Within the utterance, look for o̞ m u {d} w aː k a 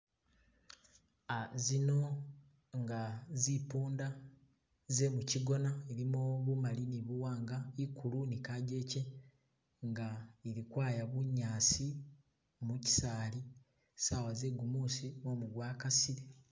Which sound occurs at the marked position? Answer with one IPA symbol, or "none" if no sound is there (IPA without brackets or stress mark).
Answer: ɡ